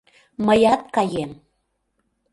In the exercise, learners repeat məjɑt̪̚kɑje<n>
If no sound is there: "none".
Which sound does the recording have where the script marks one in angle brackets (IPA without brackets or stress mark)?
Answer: m